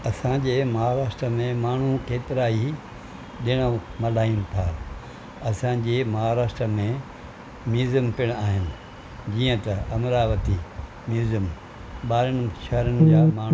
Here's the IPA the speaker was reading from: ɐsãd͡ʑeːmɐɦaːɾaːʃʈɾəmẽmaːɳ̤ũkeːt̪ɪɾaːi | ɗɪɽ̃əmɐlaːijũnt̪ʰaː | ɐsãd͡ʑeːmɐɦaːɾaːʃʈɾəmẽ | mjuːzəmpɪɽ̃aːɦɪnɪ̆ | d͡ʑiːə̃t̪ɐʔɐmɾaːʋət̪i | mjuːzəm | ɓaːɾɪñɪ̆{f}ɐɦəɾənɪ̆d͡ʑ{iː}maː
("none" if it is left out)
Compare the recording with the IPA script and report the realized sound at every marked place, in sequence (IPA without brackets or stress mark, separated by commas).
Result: ʃ, aː